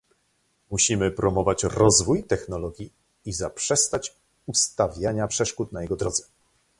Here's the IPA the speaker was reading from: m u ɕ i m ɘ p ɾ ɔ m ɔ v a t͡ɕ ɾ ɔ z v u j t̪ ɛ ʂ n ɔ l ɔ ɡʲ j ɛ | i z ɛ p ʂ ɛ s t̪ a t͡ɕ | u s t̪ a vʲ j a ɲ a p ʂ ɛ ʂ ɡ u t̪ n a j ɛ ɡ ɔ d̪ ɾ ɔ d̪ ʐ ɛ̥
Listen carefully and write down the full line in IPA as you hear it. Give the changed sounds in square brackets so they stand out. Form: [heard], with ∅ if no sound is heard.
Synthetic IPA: m u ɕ i m ɘ p ɾ ɔ m ɔ v a t͡ɕ ɾ ɔ z v u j t̪ ɛ [x] n ɔ l ɔ ɡʲ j [i] | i z [a] p ʂ ɛ s t̪ a t͡ɕ | u s t̪ a vʲ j a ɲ a p ʂ ɛ ʂ [k] u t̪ n a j ɛ ɡ ɔ d̪ ɾ ɔ d̪ [z] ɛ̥